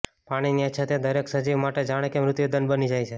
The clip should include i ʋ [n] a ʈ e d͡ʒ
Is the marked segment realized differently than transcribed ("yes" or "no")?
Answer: yes